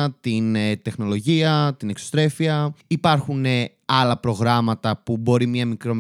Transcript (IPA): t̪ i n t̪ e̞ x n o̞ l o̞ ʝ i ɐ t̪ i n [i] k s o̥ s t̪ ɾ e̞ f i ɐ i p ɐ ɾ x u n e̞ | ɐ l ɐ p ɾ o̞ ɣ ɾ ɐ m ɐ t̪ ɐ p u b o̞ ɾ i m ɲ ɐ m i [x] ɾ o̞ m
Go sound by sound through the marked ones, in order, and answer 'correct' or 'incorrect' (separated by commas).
incorrect, incorrect